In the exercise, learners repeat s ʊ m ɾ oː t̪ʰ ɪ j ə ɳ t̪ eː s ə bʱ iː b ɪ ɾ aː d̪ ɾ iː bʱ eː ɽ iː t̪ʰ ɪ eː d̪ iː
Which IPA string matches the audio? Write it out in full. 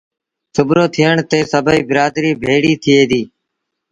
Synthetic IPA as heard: s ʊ b ɾ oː t̪ʰ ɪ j ə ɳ t̪ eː s ə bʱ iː b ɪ ɾ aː d̪ ɾ iː bʱ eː ɽ iː t̪ʰ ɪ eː d̪ iː